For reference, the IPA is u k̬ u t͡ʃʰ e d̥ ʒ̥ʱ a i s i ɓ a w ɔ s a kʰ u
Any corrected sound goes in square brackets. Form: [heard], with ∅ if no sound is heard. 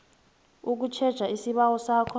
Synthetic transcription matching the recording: u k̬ u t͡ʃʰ [ɛ] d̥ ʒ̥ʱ a i s i ɓ a w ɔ s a kʰ [ɔ]

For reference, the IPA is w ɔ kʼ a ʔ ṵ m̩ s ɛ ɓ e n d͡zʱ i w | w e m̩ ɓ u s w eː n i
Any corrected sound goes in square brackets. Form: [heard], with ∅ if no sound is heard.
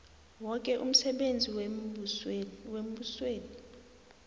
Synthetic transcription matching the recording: w ɔ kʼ [ɛ] ʔ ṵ m̩ s ɛ ɓ e n d͡zʱ i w | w e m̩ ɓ u s w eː n i

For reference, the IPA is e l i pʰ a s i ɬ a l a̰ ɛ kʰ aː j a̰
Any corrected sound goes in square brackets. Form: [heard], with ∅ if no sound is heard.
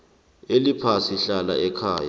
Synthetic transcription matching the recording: e l i pʰ a s i ɬ a l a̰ ɛ kʰ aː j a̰

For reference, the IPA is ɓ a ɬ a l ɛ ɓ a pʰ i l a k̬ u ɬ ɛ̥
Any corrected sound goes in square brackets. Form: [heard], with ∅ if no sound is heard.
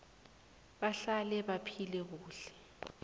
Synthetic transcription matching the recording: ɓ a ɬ a l ɛ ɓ a pʰ i l [ɛ] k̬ [uː] ɬ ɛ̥

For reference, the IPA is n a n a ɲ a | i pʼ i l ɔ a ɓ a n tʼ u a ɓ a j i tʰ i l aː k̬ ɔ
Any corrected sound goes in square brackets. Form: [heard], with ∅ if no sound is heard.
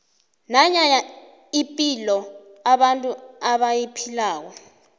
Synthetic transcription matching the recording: n a [ɲ] a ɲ a | i pʼ i l ɔ a ɓ a n tʼ u a ɓ a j i [pʰ] i l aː k̬ ɔ

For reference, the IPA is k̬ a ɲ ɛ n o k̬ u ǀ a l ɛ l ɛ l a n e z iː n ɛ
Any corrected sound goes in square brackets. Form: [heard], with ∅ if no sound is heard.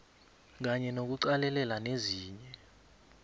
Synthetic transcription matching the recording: k̬ a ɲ ɛ n o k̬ u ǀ a l ɛ l ɛ l a n e z iː [ɲ] ɛ

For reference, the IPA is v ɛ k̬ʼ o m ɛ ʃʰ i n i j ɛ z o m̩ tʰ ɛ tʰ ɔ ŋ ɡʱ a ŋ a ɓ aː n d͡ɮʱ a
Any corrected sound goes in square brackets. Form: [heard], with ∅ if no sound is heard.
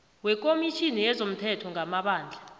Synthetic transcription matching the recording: [w] ɛ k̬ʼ o m [i] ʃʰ i n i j ɛ z o m̩ tʰ ɛ tʰ ɔ ŋ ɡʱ a [m] a ɓ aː n d͡ɮʱ a

